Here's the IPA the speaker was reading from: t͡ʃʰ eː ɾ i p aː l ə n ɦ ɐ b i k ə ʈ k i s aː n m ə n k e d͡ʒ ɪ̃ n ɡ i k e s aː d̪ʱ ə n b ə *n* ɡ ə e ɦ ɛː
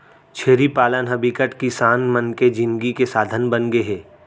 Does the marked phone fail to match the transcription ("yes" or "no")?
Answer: no